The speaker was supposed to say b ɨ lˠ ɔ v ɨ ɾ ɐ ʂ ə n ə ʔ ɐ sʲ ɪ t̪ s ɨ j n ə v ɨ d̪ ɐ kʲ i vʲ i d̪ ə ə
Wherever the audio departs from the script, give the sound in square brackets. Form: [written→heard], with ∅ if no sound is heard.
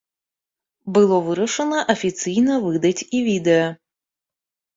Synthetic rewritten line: b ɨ lˠ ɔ v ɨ ɾ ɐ ʂ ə n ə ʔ ɐ [sʲ→fʲ] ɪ t̪ s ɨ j n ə v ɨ d̪ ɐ [kʲ→tʲ] i vʲ i d̪ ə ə